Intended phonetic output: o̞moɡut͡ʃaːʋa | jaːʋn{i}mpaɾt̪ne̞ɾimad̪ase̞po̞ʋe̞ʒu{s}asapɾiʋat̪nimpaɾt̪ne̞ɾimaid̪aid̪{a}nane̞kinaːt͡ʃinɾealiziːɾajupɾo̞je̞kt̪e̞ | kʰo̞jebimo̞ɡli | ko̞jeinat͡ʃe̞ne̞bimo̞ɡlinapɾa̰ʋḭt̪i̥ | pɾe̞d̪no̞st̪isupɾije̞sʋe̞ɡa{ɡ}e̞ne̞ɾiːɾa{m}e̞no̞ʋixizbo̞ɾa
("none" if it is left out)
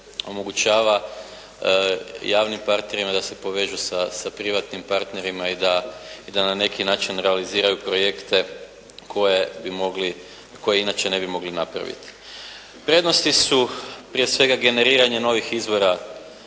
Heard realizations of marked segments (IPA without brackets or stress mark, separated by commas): i, s, a, ɡ, ɲ